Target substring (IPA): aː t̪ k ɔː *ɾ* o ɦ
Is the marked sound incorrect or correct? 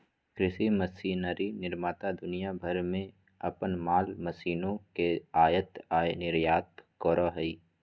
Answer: correct